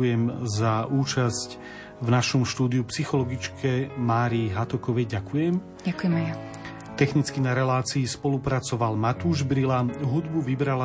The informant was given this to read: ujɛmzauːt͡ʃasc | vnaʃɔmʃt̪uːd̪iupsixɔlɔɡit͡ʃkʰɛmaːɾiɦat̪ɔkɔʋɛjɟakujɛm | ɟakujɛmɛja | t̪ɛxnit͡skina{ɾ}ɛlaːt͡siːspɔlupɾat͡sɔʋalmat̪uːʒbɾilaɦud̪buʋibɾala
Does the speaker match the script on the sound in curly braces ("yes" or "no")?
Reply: yes